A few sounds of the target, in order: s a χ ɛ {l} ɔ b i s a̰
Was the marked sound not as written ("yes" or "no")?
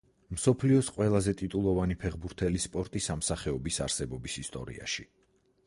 yes